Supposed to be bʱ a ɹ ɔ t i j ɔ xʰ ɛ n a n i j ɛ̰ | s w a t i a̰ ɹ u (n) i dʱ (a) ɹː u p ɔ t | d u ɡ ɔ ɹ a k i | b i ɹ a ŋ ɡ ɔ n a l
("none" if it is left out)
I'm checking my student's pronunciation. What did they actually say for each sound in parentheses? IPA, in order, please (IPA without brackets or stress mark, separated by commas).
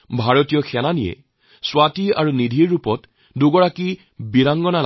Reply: n, i